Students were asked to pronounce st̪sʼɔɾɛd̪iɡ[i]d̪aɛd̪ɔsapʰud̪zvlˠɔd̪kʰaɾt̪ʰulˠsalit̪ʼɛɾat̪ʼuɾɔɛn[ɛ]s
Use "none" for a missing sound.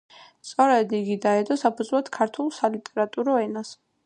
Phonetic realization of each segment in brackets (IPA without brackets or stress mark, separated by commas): i, a